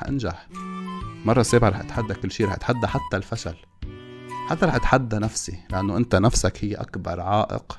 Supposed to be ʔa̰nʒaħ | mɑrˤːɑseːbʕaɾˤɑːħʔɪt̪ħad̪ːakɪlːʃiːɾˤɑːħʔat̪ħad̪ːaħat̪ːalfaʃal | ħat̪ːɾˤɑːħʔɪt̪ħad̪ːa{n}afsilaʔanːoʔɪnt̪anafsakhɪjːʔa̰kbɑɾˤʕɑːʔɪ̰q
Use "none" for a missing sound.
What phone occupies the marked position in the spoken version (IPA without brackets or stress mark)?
n